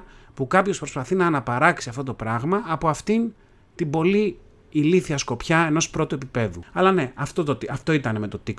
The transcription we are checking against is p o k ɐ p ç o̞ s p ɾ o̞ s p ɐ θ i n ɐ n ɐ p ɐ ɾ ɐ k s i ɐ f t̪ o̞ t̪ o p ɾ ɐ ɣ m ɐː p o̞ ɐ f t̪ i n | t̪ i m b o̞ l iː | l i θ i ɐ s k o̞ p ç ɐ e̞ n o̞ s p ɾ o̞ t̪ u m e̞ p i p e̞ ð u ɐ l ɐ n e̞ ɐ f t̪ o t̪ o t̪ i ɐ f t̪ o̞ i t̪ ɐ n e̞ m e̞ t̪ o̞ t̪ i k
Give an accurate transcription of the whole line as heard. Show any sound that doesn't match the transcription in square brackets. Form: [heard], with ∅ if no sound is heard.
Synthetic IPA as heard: p [u] k ɐ p ç o̞ s p ɾ o̞ s p ɐ θ i n [ɐː] n ɐ p ɐ ɾ ɐ k s i ɐ f t̪ o̞ t̪ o p ɾ ɐ ɣ m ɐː p o̞ ɐ f t̪ i n | t̪ i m b o̞ l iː | l i θ i ɐ s k o̞ p ç ɐ e̞ n o̞ s p ɾ o̞ t̪ u [∅] e̞ p i p e̞ ð u ɐ l ɐ n e̞ ɐ f t̪ o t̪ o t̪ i ɐ f t̪ o̞ i t̪ ɐ n e̞ m e̞ t̪ o̞ t̪ i k